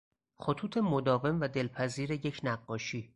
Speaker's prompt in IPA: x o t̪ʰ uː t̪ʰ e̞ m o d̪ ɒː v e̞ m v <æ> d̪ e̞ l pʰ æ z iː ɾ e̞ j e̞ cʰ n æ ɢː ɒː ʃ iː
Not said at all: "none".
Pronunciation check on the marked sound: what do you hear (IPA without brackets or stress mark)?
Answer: æ